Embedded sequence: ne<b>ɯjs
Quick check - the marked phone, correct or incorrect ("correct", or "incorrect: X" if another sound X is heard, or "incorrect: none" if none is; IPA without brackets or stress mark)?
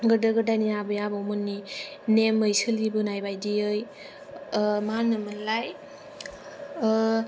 incorrect: m